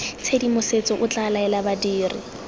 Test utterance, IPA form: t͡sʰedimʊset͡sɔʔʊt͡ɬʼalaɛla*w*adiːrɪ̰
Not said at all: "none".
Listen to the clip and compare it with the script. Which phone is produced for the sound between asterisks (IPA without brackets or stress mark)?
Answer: b